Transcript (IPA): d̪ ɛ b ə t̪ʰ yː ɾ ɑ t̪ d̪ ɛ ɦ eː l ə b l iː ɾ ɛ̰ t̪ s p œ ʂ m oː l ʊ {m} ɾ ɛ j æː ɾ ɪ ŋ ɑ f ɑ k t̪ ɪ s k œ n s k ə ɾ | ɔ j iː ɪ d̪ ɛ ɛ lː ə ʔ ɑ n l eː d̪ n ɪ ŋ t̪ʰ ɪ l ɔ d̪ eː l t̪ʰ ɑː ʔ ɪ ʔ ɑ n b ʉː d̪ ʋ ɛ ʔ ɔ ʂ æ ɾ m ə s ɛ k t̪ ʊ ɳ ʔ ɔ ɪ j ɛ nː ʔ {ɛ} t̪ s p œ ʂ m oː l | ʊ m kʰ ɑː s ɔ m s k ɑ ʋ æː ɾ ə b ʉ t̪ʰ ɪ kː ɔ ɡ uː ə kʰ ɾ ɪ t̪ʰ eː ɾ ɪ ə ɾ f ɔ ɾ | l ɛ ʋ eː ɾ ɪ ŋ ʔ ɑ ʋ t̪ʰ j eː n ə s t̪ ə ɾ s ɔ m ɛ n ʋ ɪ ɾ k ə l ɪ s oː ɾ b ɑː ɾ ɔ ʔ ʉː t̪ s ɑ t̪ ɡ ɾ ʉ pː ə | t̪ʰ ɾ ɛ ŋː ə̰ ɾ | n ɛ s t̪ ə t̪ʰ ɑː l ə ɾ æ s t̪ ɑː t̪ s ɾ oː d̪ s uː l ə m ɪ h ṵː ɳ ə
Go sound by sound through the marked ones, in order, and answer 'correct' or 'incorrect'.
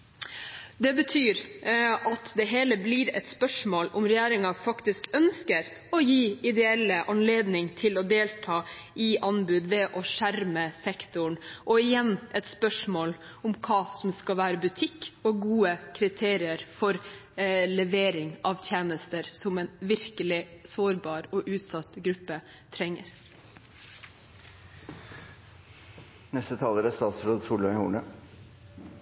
correct, correct

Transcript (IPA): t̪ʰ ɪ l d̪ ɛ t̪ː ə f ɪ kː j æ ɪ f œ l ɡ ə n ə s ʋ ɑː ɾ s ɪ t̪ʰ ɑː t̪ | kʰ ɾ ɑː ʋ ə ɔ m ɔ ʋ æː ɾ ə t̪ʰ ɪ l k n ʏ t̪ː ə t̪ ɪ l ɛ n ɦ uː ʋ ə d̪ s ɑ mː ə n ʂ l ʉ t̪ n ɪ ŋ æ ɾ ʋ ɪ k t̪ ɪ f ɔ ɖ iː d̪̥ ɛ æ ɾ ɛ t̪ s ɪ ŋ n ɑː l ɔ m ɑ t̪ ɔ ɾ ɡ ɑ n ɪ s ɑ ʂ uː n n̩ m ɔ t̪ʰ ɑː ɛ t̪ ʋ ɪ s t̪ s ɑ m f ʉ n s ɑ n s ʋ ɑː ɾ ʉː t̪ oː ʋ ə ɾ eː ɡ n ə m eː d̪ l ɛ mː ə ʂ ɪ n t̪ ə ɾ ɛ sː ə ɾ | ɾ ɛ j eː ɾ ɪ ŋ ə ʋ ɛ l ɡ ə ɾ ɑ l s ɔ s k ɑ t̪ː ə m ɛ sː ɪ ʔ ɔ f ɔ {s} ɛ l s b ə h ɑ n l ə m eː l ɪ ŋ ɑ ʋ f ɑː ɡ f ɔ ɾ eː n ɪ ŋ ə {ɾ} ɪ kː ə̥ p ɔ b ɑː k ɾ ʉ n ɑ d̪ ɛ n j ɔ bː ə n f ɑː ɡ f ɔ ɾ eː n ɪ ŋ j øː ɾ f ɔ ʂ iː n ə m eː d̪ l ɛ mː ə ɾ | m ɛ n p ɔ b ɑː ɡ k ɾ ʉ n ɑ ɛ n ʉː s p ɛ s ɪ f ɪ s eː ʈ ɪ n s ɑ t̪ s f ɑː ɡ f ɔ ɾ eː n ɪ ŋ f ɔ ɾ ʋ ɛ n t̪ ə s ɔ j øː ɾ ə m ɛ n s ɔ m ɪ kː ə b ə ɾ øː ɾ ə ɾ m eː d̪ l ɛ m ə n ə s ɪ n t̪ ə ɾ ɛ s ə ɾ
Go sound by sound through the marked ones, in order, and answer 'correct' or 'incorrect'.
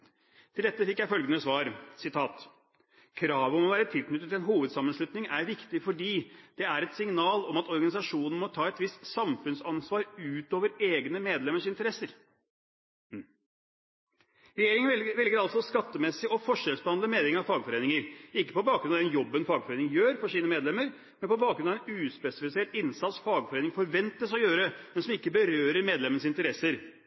incorrect, correct

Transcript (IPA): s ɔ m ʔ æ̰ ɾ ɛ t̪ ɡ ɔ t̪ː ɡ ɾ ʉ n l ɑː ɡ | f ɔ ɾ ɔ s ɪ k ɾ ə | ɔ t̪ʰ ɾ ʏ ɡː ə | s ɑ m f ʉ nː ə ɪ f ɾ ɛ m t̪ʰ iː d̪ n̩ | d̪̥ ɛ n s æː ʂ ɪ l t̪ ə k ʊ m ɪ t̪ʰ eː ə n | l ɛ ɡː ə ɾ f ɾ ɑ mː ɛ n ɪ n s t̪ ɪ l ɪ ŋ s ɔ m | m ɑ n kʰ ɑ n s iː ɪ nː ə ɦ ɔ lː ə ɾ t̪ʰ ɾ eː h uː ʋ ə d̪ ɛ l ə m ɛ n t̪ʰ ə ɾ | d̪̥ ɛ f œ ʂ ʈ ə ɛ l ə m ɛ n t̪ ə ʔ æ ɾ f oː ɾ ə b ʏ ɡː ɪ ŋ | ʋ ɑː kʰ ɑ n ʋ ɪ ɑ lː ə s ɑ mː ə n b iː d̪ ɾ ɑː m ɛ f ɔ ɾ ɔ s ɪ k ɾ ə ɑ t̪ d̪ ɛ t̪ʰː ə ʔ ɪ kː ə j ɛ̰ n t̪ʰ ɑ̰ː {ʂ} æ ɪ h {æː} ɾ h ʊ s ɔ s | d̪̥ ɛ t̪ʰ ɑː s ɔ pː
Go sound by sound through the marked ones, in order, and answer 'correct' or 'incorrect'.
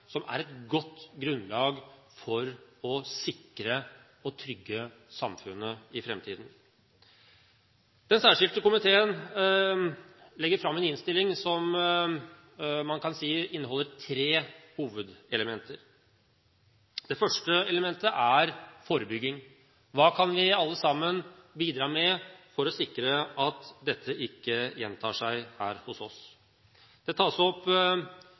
correct, correct

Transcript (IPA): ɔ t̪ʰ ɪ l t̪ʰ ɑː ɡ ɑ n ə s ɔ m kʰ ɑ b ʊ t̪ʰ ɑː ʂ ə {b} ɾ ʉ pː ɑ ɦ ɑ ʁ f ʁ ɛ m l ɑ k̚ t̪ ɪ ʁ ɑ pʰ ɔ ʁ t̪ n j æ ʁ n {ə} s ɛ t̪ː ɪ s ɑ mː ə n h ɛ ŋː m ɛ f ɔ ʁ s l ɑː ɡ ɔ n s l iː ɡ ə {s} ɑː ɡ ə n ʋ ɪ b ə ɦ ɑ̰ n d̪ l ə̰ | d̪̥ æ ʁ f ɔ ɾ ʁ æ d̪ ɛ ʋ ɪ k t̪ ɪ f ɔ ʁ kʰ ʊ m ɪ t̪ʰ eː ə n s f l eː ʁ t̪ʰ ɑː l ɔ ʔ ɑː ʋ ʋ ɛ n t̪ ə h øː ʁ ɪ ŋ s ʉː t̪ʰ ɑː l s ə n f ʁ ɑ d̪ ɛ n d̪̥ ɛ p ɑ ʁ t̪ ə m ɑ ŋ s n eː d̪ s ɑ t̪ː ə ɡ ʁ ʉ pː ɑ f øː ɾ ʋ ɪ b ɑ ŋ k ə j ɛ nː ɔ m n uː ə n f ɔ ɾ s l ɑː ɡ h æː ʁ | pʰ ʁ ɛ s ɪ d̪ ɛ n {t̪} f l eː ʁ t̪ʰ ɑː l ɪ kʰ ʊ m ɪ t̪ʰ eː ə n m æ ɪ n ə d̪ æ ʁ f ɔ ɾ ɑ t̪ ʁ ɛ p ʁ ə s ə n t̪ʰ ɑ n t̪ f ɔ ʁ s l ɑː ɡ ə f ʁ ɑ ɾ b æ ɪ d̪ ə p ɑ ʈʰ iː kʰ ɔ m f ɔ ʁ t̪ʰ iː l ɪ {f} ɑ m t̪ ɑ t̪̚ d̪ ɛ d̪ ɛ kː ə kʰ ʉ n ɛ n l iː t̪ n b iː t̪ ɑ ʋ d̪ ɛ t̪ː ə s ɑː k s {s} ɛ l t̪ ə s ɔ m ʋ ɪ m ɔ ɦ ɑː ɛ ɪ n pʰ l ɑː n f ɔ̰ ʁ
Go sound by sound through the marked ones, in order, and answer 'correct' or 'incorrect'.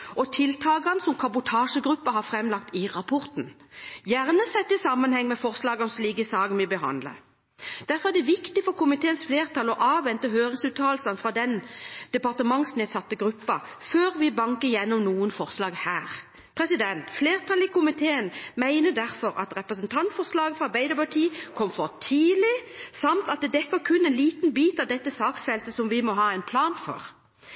incorrect, correct, correct, correct, incorrect, incorrect

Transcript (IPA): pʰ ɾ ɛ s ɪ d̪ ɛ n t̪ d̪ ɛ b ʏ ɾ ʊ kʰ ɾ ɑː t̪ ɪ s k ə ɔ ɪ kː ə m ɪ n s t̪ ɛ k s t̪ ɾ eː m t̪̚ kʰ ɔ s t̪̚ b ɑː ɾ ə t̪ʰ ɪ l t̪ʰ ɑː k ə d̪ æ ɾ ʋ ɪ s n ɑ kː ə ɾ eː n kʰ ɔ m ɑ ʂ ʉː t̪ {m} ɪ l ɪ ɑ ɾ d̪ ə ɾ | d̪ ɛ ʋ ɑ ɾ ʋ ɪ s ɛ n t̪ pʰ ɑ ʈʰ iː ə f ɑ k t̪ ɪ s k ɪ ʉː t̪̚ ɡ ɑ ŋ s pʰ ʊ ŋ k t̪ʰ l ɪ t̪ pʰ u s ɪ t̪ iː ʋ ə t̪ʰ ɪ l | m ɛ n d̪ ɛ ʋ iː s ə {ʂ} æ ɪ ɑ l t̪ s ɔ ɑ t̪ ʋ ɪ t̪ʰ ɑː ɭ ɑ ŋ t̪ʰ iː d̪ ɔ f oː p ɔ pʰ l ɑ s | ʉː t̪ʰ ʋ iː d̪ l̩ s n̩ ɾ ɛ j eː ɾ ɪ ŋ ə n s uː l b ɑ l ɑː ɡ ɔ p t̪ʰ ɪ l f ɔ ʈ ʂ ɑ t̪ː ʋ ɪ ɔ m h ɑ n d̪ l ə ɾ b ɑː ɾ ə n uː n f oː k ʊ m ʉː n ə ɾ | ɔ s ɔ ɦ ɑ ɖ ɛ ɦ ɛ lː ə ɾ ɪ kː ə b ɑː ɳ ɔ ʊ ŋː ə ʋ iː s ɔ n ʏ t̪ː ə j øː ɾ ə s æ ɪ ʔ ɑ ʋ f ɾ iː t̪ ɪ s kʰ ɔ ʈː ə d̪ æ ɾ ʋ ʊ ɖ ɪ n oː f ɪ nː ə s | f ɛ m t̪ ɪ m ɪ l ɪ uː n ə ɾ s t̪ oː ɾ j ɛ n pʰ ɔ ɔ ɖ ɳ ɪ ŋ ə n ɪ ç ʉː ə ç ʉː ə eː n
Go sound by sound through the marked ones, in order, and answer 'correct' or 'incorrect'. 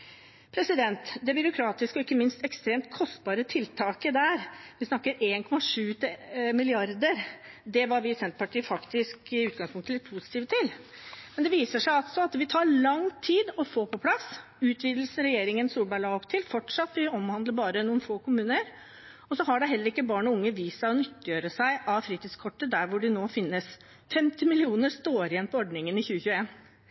correct, correct

